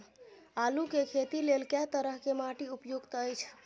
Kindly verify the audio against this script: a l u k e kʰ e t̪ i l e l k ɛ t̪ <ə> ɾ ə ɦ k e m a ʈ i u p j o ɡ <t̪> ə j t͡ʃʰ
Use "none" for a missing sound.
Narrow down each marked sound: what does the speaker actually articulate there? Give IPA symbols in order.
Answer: ə, t̪

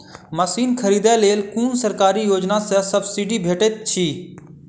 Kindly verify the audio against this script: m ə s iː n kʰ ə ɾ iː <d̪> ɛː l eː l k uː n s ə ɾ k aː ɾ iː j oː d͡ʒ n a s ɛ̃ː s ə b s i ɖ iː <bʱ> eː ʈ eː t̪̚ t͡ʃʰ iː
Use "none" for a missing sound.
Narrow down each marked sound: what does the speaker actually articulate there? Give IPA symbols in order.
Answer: d̪, bʱ

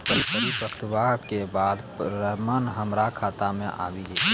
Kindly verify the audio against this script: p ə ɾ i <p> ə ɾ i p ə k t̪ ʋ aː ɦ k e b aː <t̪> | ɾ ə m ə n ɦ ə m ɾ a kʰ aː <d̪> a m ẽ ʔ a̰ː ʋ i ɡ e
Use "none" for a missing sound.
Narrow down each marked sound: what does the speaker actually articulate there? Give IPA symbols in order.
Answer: p, d̪, t̪

